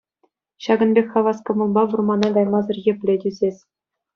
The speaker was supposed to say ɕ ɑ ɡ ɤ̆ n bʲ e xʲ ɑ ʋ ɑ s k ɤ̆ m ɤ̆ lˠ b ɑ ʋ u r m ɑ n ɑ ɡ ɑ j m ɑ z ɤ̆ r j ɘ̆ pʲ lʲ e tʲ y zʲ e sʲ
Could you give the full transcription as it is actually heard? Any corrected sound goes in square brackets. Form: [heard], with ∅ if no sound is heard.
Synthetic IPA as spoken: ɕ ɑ ɡ ɤ̆ n bʲ e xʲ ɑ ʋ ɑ s k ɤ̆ m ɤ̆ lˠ b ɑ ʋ u r m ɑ n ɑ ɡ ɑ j m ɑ z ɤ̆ r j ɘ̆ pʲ lʲ e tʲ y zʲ e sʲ

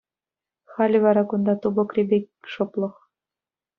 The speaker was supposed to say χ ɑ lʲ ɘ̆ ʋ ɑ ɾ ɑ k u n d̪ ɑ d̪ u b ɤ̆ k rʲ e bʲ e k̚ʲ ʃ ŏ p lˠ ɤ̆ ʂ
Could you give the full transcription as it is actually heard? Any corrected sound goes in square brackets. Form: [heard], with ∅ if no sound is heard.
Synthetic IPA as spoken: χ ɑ lʲ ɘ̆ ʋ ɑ ɾ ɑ k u n d̪ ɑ [t̪] u b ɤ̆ k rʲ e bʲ e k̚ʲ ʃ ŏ p lˠ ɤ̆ [χ]

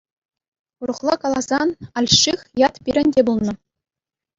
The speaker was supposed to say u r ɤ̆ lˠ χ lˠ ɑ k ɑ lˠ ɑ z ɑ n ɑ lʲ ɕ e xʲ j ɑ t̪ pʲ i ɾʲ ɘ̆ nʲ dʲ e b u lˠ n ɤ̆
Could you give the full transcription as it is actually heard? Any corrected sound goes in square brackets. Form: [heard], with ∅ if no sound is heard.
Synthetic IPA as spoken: u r ɤ̆ [∅] χ lˠ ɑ k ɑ lˠ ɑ z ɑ n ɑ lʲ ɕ [i] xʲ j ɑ t̪ pʲ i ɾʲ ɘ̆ nʲ dʲ e b u lˠ n ɤ̆

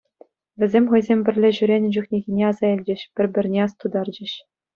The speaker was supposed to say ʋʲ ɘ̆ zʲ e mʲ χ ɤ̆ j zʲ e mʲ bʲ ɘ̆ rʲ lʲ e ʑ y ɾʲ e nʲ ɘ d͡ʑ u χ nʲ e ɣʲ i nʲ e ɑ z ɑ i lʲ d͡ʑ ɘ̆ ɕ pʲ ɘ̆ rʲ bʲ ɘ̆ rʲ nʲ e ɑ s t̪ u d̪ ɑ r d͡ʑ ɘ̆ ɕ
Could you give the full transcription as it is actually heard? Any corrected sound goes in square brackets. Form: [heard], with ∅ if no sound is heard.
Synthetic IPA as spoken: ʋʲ ɘ̆ zʲ e mʲ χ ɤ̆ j zʲ e mʲ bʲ ɘ̆ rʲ lʲ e ʑ y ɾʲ e nʲ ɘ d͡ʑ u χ nʲ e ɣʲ i nʲ e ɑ z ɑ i lʲ d͡ʑ ɘ̆ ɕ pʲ ɘ̆ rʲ bʲ ɘ̆ rʲ nʲ e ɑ s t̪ u d̪ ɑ r d͡ʑ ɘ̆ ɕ

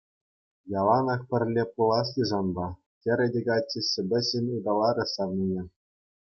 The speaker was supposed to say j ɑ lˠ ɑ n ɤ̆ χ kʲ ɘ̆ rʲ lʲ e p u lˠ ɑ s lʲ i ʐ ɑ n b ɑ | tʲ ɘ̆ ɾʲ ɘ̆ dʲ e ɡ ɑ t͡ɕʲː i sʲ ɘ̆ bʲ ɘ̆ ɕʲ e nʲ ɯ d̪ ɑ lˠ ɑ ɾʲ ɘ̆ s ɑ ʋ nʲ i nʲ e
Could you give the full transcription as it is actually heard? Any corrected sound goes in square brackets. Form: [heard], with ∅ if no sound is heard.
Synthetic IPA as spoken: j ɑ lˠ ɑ n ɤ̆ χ [pʲ] ɘ̆ rʲ lʲ e p u lˠ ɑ s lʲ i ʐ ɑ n b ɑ | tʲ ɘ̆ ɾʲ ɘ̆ dʲ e ɡ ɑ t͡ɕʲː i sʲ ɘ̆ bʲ ɘ̆ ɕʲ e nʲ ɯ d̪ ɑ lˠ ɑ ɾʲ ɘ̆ s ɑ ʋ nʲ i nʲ e

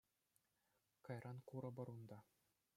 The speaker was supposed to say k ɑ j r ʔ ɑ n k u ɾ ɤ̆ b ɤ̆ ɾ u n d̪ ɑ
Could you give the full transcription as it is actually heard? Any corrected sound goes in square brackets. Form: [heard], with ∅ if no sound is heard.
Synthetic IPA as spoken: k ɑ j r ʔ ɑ n k u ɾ ɤ̆ b ɤ̆ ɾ u n d̪ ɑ

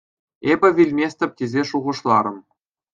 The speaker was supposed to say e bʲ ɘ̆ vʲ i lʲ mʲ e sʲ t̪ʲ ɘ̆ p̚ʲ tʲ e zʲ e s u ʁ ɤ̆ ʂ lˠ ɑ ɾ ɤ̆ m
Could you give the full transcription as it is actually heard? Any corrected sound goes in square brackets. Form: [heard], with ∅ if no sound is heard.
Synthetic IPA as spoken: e bʲ ɘ̆ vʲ i lʲ mʲ e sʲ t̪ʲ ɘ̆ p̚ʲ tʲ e zʲ e [ʂ] u ʁ ɤ̆ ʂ lˠ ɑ ɾ ɤ̆ m

